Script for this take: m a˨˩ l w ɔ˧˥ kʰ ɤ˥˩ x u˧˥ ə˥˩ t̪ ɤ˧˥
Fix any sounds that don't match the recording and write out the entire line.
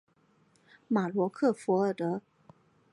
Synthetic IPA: m a˨˩ l w ɔ˧˥ kʰ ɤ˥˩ f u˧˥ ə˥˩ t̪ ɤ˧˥